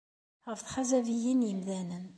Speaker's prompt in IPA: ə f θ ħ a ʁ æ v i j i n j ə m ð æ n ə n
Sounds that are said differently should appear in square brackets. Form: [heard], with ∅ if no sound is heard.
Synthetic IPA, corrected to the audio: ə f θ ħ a [z] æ v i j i n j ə m ð æ n ə n